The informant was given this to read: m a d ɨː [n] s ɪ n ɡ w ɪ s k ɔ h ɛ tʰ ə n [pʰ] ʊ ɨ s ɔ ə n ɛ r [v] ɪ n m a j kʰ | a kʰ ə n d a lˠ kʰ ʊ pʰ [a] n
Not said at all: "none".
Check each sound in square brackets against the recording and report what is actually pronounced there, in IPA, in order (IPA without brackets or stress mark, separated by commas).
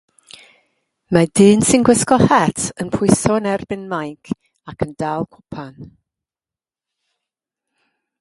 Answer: n, pʰ, b, a